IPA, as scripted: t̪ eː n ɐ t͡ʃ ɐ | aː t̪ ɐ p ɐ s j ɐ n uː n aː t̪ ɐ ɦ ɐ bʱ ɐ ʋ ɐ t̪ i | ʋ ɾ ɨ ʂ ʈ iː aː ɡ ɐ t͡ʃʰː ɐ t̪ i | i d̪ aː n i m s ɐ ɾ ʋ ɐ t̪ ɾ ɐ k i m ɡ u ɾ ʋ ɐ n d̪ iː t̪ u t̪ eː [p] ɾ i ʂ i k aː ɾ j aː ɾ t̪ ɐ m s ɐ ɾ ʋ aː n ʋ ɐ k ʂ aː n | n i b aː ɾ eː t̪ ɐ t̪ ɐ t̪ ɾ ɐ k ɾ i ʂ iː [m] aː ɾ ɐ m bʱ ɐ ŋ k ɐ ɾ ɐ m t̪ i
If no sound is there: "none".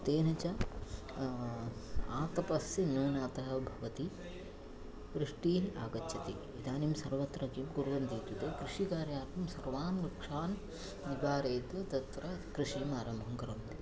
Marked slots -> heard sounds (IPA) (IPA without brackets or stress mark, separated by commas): k, m